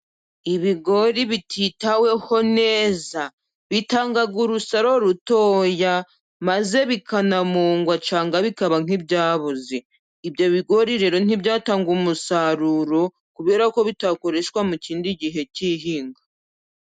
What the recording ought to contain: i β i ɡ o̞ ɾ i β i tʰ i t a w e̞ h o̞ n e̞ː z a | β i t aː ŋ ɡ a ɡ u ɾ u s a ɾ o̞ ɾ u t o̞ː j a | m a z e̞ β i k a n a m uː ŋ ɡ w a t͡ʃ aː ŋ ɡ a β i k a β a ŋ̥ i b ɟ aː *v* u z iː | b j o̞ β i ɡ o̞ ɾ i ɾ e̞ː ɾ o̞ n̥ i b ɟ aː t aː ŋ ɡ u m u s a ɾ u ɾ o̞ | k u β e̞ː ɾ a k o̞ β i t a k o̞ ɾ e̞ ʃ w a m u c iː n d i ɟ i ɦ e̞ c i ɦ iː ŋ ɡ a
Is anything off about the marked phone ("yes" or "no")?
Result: yes